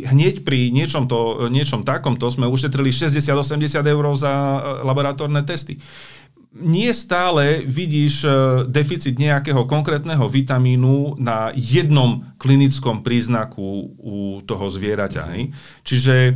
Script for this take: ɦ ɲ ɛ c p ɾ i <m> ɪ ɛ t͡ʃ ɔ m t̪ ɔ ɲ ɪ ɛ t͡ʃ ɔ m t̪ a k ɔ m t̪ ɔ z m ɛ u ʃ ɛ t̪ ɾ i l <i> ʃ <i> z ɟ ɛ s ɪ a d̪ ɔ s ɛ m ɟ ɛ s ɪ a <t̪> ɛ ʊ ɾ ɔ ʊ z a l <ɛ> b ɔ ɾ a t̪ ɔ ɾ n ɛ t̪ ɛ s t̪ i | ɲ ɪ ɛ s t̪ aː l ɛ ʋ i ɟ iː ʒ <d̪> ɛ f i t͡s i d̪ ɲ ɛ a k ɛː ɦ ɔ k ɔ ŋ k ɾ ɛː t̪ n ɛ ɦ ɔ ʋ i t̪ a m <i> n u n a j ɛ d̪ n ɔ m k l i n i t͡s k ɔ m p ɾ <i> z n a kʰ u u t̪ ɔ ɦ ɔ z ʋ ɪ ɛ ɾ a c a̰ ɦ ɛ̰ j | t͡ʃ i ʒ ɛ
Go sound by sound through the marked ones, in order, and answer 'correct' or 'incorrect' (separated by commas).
incorrect, correct, incorrect, incorrect, incorrect, correct, incorrect, incorrect